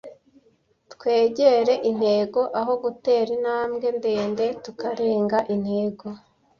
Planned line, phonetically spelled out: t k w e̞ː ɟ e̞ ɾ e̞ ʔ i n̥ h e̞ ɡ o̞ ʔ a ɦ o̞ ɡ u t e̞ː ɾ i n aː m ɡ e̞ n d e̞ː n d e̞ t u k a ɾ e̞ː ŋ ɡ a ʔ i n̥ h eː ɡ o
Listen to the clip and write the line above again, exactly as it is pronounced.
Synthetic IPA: t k w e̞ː ɟ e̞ ɾ e̞ ʔ i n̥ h e̞ ɡ o̞ ʔ a ɦ o̞ ɡ u t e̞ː ɾ i n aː m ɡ e̞ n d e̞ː n d e̞ t u k a ɾ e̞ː ŋ ɡ a ʔ i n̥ h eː ɡ o